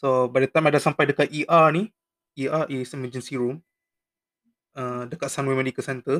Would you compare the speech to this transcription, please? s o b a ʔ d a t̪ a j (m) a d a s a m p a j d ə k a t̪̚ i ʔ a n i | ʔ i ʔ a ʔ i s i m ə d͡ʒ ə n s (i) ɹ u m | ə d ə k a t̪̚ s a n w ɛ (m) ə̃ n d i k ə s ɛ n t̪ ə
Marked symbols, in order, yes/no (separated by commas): yes, yes, yes